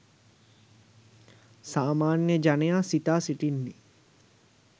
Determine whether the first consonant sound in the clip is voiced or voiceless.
voiceless